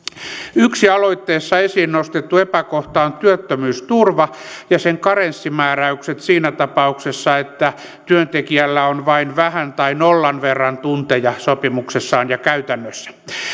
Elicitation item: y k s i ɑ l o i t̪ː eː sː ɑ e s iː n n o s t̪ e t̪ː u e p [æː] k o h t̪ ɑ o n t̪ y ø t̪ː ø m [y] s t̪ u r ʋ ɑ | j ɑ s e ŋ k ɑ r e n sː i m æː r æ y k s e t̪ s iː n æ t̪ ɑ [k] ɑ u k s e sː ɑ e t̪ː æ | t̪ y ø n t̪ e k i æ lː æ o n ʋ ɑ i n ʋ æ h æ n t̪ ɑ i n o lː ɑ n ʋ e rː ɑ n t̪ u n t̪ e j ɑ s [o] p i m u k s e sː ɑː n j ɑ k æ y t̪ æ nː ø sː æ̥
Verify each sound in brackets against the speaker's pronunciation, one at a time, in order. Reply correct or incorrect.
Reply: incorrect: æ, incorrect: yː, incorrect: p, correct

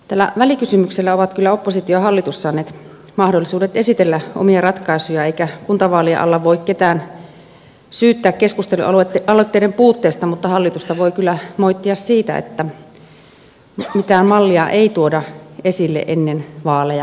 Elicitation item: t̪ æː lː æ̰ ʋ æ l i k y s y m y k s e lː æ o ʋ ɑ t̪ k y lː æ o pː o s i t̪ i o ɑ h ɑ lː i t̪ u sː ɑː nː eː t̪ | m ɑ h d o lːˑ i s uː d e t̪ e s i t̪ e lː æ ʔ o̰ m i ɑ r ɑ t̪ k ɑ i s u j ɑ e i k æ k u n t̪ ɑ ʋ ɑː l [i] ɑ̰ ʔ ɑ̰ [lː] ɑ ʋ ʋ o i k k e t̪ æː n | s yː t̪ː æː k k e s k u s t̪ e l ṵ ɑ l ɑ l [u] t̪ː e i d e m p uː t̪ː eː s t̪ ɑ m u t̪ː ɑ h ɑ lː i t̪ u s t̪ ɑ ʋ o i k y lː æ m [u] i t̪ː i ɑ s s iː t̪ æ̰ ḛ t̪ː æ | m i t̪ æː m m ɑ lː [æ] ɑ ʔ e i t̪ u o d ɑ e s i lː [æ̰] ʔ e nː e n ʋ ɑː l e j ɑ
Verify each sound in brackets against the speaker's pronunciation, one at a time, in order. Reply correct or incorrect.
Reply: correct, correct, incorrect: o, incorrect: o, incorrect: i, incorrect: ḛ

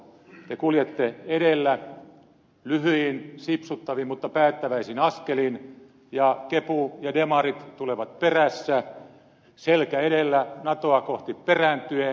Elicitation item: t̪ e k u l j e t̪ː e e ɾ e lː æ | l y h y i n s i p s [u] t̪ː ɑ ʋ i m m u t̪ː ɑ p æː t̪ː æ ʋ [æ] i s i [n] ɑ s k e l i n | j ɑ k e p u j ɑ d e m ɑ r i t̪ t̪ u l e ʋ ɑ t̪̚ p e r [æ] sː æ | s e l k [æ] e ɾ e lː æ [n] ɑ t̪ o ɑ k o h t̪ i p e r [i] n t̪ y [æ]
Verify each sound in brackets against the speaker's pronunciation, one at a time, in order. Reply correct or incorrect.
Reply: correct, correct, correct, correct, correct, correct, incorrect: æ, incorrect: e

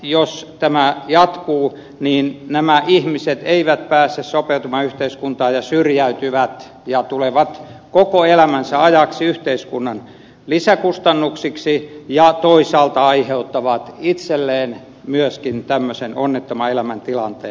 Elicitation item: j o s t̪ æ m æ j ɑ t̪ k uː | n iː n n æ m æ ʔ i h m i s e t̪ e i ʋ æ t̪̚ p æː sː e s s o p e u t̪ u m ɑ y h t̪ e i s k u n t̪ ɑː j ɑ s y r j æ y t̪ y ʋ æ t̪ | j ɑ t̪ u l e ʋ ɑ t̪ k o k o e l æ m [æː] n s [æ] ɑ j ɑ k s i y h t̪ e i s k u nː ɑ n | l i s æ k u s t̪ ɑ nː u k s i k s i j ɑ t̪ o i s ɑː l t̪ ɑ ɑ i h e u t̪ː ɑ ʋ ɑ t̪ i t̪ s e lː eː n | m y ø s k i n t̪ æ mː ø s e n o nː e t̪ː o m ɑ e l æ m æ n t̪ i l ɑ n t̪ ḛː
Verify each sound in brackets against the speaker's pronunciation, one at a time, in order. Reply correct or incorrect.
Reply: incorrect: æ, correct

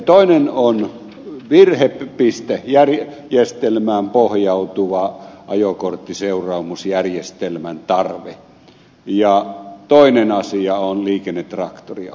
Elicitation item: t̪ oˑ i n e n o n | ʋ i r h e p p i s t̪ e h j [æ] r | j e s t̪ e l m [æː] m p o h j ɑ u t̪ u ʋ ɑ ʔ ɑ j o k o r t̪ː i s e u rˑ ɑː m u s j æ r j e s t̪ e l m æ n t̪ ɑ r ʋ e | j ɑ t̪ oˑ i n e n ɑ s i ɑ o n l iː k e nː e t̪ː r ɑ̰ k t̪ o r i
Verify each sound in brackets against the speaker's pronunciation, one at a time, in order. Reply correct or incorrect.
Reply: correct, correct

